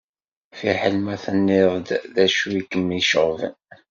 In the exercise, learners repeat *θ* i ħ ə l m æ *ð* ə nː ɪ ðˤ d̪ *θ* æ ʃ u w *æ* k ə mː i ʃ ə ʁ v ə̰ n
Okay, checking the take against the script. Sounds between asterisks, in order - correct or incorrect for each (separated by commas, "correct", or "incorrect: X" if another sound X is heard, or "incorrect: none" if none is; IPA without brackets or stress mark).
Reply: incorrect: f, incorrect: θ, incorrect: ð, incorrect: i